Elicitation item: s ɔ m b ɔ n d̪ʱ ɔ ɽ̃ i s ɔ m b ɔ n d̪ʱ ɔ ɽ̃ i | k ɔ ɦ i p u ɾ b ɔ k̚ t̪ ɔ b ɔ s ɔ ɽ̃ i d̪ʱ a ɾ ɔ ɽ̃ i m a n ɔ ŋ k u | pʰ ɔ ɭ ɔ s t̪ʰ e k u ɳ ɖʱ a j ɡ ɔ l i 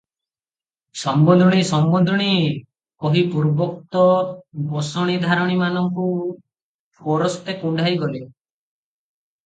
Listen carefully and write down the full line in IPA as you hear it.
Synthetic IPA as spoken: s ɔ m b ɔ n d̪ʱ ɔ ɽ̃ i s ɔ m b ɔ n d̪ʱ ɔ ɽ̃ i | k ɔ ɦ i p u ɾ b ɔ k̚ t̪ ɔ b ɔ s ɔ ɽ̃ i d̪ʱ a ɾ ɔ ɽ̃ i m a n ɔ ŋ k u | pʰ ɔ ɾ ɔ s t̪ e k u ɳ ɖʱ a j ɡ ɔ l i

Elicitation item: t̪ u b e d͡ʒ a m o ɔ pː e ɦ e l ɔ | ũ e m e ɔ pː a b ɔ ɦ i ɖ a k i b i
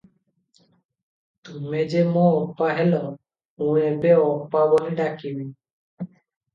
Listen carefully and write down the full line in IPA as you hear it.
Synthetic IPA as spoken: t̪ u m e d͡ʒ e m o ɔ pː a ɦ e l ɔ | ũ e b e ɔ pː a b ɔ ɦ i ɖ a k i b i

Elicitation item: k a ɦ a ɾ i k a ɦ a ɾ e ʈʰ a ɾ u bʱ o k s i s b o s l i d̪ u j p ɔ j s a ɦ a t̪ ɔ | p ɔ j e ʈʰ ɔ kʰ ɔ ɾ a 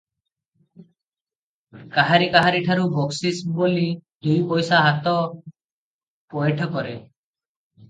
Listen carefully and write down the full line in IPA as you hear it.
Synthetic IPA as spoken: k a ɦ a ɾ i k a ɦ a ɾ i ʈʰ a ɾ u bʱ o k s i s b o l i d̪ u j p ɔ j s a ɦ a t̪ ɔ | p ɔ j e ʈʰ ɔ k ɔ ɾ e

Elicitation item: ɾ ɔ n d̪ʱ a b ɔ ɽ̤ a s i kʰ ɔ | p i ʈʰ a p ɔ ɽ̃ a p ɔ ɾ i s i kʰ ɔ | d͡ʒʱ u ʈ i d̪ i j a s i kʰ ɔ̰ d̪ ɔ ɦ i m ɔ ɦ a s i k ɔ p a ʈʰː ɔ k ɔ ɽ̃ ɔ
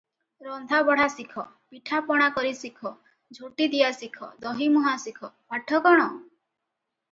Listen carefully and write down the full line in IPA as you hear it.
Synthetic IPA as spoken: ɾ ɔ n d̪ʱ a b ɔ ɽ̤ a s i kʰ ɔ | p i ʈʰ a p ɔ ɽ̃ a k ɔ ɾ i s i kʰ ɔ | d͡ʒʱ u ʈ i d̪ i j a s i kʰ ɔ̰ d̪ ɔ ɦ i m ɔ ɦ a s i kʰ ɔ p a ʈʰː ɔ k ɔ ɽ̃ ɔ

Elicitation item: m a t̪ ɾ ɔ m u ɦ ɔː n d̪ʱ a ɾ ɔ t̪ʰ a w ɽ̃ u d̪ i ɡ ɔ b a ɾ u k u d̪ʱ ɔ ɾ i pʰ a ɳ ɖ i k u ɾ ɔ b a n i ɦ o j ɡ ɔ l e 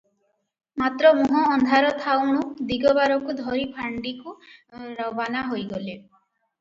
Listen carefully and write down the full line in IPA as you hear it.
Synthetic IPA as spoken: m a t̪ ɾ ɔ m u ɦ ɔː n d̪ʱ a ɾ ɔ t̪ʰ a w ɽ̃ u d̪ i ɡ ɔ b a ɾ ɔ k u d̪ʱ ɔ ɾ i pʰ a ɳ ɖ i k u ɾ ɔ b a n a ɦ o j ɡ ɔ l e

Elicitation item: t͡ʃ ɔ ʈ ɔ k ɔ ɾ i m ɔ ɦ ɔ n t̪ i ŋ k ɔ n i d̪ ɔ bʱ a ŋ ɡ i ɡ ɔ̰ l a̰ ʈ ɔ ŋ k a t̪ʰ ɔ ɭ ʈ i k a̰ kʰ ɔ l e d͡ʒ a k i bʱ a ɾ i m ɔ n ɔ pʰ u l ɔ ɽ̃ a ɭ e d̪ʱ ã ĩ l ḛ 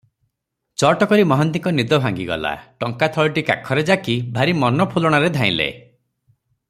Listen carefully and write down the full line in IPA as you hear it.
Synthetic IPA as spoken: t͡ʃ ɔ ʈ ɔ k ɔ ɾ i m ɔ ɦ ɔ n t̪ i ŋ k ɔ n i d̪ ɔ bʱ a ŋ ɡ i ɡ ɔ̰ l a̰ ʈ ɔ ŋ k a t̪ʰ ɔ ɭ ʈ i k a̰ kʰ ɔ ɾ e d͡ʒ a k i bʱ a ɾ i m ɔ n ɔ pʰ u l ɔ ɽ̃ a ɾ e d̪ʱ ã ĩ l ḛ

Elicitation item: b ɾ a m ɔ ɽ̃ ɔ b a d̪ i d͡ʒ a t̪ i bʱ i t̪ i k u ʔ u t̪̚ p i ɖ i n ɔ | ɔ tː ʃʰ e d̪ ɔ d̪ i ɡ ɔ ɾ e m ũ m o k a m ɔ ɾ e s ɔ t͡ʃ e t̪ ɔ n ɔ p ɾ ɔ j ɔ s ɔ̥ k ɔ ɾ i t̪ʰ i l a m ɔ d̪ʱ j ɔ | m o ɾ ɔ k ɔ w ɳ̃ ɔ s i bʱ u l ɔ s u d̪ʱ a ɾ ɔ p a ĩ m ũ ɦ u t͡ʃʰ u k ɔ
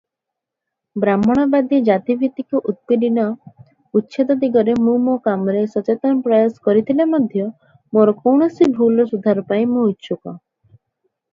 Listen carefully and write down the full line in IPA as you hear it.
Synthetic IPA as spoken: b ɾ a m ɔ ɽ̃ ɔ b a d̪ i d͡ʒ a t̪ i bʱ i t̪ i k u ʔ u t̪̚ p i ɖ i n ɔ | u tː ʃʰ e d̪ ɔ d̪ i ɡ ɔ ɾ e m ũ m o k a m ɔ ɾ e s ɔ t͡ʃ e t̪ ɔ n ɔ p ɾ ɔ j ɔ s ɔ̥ k ɔ ɾ i t̪ʰ i l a m ɔ d̪ʱ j ɔ | m o ɾ ɔ k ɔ w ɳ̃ ɔ s i bʱ u l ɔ s u d̪ʱ a ɾ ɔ p a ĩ m ũ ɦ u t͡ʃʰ u k ɔ

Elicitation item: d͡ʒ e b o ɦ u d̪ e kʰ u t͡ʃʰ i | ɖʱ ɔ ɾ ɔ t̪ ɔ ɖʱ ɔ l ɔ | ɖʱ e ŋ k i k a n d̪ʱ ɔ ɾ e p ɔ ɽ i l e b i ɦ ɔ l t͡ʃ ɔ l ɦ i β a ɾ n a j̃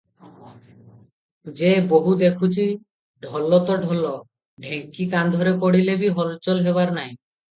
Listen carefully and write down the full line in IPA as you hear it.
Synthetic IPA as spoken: d͡ʒ e b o ɦ u d̪ e kʰ u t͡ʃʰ i | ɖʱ ɔ l ɔ t̪ ɔ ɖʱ ɔ l ɔ | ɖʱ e ŋ k i k a n d̪ʱ ɔ ɾ e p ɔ ɽ i l e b i ɦ ɔ l t͡ʃ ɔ l ɦ e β a ɾ n a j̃

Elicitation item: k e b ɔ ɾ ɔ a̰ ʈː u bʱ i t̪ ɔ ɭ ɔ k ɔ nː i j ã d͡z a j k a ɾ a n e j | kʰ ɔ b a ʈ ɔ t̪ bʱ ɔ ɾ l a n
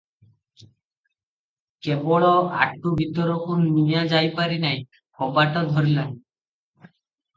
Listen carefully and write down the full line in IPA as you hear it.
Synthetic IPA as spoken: k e b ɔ ɭ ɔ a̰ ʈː u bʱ i t̪ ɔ ɾ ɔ k u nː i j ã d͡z a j p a ɾ i n a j | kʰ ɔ b a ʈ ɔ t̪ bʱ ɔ ɾ l a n

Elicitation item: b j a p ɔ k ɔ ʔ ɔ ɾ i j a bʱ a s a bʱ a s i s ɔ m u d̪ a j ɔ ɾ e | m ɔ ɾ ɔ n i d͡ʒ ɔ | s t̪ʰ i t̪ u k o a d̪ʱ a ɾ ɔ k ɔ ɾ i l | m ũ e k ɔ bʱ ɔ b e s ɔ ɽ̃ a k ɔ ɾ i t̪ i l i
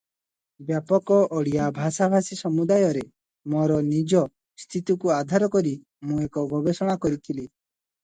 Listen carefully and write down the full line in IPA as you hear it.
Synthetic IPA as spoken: b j a p ɔ k ɔ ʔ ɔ ɽ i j a bʱ a s a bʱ a s i s ɔ m u d̪ a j ɔ ɾ e | m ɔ ɾ ɔ n i d͡ʒ ɔ | s t̪ʰ i t̪ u k u a d̪ʱ a ɾ ɔ k ɔ ɾ i | m ũ e k ɔ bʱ ɔ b e s ɔ ɽ̃ a k ɔ ɾ i t̪ʰ i l i

